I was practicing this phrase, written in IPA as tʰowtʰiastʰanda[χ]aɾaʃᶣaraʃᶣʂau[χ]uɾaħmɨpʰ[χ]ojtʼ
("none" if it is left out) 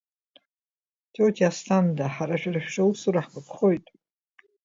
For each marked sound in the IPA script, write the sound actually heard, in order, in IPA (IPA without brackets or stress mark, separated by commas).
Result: ħ, s, χ